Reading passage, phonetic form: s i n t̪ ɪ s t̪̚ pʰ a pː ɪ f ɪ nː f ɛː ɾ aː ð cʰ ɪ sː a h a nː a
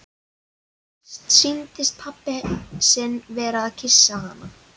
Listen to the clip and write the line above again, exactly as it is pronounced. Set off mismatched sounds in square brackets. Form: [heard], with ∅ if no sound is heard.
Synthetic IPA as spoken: s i n t̪ ɪ s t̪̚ pʰ a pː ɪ [s] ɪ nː [v] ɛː ɾ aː ð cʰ ɪ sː a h a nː a